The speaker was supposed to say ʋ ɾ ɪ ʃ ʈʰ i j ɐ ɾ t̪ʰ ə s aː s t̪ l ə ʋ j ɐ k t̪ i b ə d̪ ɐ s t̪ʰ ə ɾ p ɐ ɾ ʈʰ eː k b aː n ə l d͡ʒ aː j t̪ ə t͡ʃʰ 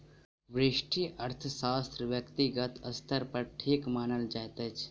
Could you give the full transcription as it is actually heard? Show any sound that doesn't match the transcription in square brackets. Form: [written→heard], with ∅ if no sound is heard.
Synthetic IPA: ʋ ɾ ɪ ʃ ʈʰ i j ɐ ɾ t̪ʰ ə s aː s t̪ [l→ɾ] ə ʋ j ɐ k t̪ i [b→ɡ] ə [d̪→t̪] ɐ s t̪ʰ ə ɾ p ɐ ɾ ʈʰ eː k [b→m] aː n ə l d͡ʒ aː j t̪ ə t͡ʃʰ